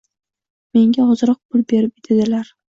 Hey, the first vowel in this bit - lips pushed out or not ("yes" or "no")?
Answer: no